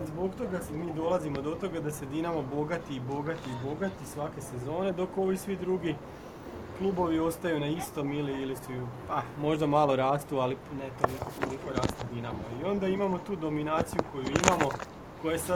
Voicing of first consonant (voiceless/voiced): voiced